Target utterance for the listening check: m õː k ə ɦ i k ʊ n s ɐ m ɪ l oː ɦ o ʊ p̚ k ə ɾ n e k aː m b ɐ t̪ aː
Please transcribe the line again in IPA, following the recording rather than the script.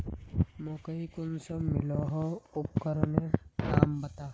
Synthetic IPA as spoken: m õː k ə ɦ i k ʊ n s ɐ m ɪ l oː ɦ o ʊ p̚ k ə ɾ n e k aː m b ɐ t̪ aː